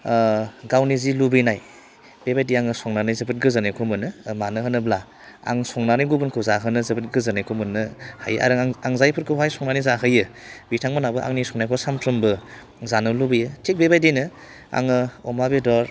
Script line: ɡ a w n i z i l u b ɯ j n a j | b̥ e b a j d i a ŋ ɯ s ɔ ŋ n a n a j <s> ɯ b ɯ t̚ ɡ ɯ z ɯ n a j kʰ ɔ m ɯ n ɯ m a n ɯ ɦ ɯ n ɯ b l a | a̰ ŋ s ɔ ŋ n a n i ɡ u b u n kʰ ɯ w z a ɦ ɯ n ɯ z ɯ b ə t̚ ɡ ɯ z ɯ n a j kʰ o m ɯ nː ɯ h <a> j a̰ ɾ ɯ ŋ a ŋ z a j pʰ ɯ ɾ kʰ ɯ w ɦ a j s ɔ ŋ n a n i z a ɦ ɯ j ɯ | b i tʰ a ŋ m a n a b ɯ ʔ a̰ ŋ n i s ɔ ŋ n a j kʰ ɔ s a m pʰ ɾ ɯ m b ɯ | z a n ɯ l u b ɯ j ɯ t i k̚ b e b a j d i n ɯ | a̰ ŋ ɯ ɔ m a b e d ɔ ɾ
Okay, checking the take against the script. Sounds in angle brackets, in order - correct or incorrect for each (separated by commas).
incorrect, correct